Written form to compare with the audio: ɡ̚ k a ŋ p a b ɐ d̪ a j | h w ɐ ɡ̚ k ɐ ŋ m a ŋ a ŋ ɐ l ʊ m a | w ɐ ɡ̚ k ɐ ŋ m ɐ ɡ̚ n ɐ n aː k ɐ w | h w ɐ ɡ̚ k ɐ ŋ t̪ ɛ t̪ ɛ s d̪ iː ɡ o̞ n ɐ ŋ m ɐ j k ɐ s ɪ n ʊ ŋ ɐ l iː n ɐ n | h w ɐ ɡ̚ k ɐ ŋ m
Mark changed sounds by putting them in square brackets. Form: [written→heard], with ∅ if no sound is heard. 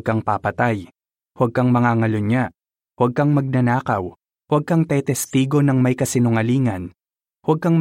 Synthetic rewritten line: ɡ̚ k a ŋ p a [b→p] ɐ [d̪→t̪] a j | h w ɐ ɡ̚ k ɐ ŋ m [a→ɐ] ŋ a ŋ ɐ l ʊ [m→ɲ] a | w ɐ ɡ̚ k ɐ ŋ m ɐ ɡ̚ n ɐ n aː k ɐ w | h w ɐ ɡ̚ k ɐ ŋ t̪ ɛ t̪ ɛ s [d̪→t̪] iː ɡ o̞ n ɐ ŋ m ɐ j k ɐ s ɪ n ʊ ŋ ɐ l iː [n→ŋ] ɐ n | h w ɐ ɡ̚ k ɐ ŋ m